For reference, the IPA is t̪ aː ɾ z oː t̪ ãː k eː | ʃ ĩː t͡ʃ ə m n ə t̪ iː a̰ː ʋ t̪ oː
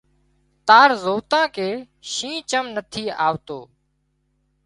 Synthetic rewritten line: t̪ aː ɾ z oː t̪ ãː k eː | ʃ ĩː t͡ʃ ə m n ə t̪ʰ iː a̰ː ʋ t̪ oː